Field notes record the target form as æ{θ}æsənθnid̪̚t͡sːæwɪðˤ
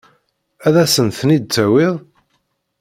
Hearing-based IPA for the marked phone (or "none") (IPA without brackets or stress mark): ð